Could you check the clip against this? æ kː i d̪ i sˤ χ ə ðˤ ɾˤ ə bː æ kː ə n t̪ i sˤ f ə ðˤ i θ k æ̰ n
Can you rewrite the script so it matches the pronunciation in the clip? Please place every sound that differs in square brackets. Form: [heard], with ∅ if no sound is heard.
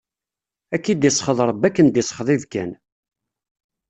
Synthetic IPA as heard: æ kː i d̪ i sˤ χ ə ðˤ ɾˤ ə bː æ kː ə n [d̪] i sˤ [χ] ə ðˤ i [ð] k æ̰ n